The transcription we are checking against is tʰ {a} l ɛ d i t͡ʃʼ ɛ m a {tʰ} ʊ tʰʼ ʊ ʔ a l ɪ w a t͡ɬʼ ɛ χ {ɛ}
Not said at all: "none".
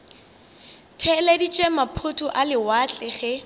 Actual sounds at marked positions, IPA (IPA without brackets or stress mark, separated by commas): ɛ, pʰ, ɛ